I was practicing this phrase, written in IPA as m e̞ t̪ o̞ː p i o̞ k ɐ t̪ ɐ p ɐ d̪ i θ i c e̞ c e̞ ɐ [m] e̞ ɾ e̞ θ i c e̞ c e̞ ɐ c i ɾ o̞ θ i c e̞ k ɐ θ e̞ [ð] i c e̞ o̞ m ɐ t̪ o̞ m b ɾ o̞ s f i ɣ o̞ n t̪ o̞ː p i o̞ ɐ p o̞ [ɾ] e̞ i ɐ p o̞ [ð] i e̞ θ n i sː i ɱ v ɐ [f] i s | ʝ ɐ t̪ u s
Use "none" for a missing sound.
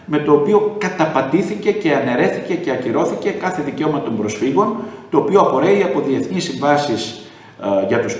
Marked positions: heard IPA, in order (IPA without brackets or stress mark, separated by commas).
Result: n, ð, ɾ, ð, s